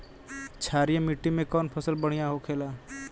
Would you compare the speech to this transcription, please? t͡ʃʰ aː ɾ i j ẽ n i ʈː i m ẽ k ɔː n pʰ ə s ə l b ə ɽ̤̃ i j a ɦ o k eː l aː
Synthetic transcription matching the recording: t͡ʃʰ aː ɾ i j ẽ m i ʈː i m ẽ k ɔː n pʰ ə s ə l b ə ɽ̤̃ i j a ɦ o kʰ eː l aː

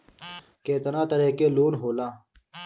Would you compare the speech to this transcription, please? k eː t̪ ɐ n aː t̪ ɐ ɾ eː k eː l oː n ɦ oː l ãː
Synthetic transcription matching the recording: k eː t̪ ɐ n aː t̪ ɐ ɾ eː k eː l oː n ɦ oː l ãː

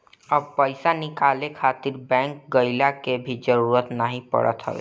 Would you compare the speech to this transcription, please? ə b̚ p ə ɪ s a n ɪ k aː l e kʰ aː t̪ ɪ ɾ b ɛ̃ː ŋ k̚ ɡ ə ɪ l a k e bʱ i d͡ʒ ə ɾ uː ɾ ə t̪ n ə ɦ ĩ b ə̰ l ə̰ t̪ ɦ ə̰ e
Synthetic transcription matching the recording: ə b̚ p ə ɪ s a n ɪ k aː l e kʰ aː t̪ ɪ ɾ b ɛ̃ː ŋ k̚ ɡ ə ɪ l a k e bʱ i d͡ʒ ə ɾ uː ɾ ə t̪ n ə ɦ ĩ p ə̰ ɽ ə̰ t̪ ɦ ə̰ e

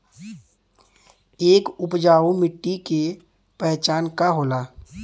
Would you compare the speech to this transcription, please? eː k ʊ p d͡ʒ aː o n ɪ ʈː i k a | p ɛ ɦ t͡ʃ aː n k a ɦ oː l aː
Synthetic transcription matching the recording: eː k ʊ p d͡ʒ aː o m ɪ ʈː i k e | p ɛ ɦ t͡ʃ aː n k a ɦ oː l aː

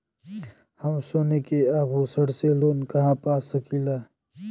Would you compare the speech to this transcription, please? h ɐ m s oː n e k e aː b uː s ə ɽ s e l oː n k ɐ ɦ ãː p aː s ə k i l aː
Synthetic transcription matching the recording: h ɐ m s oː n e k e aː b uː s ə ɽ s e l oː n k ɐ ɦ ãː p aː s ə k i l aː

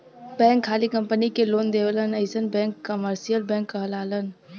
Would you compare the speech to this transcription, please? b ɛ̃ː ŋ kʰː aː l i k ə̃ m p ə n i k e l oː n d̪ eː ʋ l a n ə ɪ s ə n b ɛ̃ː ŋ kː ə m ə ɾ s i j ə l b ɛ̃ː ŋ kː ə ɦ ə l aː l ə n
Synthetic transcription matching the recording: b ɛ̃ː ŋ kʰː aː l i k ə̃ m p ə n i k e l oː n d̪ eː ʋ l ə n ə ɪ s ə n b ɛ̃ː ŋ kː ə m ə ɾ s i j ə l b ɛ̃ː ŋ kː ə ɦ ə l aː l ə n

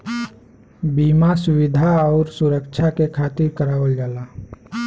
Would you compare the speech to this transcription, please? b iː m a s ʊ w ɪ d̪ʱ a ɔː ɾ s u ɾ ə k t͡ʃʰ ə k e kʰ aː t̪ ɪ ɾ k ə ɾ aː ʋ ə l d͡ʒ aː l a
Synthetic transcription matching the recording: b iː m a s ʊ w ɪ d̪ʱ a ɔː ɾ s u ɾ ə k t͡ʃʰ a k e kʰ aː t̪ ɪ ɾ k ə ɾ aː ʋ ə l d͡ʒ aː l a

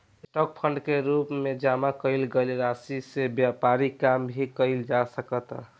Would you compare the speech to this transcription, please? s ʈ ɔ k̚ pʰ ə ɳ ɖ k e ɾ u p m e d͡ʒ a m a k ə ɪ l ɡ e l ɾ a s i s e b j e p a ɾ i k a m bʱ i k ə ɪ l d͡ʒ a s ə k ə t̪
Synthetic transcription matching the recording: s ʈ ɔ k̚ pʰ ə ɳ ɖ k e ɾ u p m e d͡ʒ a m a k ə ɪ l ɡ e l ɾ a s i s e b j a p a ɾ i k a m bʱ i k ə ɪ l d͡ʒ a s ə k ə t̪

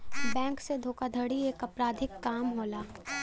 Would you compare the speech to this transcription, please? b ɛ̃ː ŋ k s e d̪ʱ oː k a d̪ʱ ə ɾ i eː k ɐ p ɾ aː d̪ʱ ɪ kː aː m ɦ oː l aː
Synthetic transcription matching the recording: b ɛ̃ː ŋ k s e d̪ʱ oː k a d̪ʱ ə ɽ i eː k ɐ p ɾ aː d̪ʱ ɪ kː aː m ɦ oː l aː

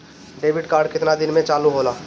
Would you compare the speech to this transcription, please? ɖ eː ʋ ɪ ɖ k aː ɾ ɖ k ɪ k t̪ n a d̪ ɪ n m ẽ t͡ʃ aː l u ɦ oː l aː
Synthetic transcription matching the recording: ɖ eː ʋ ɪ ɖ k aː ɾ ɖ k ɪ t̪ n a d̪ ɪ n m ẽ t͡ʃ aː l u ɦ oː l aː

